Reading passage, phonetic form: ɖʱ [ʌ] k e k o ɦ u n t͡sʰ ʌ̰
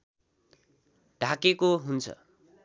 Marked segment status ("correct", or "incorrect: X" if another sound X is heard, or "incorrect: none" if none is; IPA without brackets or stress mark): incorrect: a